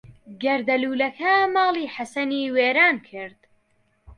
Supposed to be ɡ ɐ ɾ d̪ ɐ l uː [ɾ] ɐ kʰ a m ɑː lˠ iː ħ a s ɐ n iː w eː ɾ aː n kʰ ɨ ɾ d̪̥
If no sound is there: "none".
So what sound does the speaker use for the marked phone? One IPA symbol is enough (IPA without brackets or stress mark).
l